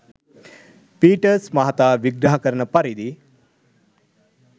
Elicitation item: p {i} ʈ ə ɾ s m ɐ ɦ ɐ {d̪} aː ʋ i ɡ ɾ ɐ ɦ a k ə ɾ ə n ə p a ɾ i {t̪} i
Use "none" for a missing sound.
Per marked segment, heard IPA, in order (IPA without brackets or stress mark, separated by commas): iː, t̪, d̪